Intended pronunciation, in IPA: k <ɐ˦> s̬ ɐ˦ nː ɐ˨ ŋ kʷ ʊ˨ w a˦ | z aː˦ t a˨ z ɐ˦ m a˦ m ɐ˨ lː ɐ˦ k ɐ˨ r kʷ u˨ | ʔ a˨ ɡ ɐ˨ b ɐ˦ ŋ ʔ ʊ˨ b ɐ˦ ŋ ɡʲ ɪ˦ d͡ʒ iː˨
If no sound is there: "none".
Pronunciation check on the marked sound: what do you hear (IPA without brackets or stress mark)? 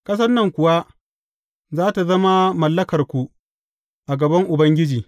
ɐ˦